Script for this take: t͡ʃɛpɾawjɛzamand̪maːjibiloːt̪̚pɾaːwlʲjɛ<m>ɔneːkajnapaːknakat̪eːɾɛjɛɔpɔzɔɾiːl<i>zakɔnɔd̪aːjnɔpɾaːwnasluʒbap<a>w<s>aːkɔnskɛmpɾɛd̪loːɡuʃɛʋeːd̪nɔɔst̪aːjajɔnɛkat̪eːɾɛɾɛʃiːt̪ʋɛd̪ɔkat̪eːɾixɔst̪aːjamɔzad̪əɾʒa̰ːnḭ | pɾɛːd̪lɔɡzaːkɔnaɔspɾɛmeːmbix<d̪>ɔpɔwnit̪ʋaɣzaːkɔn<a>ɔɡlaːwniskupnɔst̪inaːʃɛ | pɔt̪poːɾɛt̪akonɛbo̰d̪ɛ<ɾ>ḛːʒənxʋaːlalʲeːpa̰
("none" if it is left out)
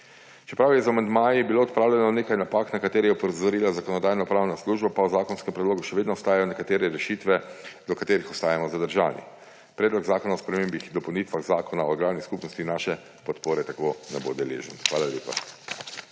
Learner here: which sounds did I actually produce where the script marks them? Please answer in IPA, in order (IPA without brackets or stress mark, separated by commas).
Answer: n, a, a, z, d̪, a, l